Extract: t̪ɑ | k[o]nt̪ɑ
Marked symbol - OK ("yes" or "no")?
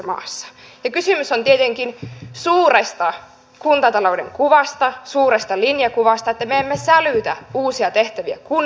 no